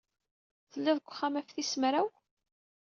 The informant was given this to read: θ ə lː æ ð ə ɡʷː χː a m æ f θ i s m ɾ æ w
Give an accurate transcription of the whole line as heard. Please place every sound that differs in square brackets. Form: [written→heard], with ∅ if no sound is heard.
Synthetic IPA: θ ə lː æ ð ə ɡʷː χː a m æ f θ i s m ɾ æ w